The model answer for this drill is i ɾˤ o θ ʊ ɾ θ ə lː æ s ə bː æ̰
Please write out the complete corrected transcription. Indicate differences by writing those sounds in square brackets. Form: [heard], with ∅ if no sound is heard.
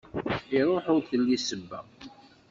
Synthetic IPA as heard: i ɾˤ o [ħ] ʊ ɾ θ ə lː [i] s ə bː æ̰